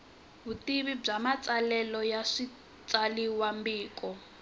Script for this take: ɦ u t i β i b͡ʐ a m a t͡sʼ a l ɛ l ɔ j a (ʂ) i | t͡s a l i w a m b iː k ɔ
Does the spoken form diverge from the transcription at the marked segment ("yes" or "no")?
no